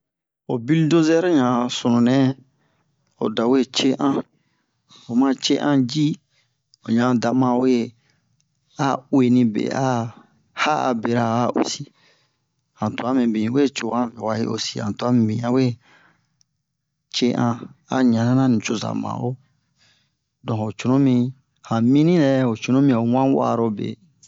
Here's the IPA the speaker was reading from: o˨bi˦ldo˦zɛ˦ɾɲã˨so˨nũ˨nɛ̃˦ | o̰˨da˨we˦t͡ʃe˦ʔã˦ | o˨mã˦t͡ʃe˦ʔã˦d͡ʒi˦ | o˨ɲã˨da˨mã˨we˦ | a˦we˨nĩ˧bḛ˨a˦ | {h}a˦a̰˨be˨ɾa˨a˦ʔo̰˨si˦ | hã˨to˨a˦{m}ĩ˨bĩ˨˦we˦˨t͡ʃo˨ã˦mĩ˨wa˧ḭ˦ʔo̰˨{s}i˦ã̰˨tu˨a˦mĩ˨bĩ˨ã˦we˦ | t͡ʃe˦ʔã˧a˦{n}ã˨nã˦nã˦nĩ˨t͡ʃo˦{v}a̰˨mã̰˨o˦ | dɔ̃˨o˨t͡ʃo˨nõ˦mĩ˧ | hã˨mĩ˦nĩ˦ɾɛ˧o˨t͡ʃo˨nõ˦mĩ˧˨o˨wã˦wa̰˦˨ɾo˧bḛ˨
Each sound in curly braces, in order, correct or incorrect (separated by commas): correct, correct, correct, incorrect, incorrect